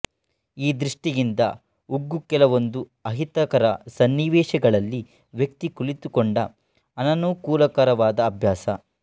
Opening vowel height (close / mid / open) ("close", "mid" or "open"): close